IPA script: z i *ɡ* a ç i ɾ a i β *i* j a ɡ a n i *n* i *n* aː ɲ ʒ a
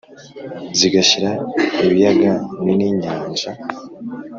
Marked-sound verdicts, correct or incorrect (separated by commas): correct, correct, correct, incorrect